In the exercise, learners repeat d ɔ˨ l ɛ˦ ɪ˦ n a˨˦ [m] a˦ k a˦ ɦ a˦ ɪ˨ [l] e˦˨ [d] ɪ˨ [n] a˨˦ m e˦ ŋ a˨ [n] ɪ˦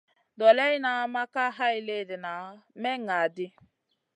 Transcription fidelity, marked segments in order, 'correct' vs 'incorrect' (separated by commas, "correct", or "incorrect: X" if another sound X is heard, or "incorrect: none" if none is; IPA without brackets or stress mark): correct, correct, correct, correct, incorrect: d